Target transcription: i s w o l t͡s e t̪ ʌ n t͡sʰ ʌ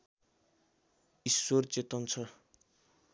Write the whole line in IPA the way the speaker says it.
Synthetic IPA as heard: i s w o r t͡s e t̪ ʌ n t͡sʰ ʌ